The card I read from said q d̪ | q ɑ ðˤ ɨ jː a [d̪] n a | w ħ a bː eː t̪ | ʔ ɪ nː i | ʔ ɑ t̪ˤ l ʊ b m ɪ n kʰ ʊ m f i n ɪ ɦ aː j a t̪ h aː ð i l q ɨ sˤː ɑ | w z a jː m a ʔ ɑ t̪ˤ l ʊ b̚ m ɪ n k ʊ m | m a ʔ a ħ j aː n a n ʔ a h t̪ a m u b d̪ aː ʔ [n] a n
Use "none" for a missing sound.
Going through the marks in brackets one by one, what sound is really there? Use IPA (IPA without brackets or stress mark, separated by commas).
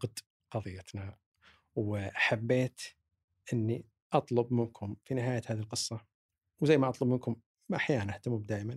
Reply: t̪, m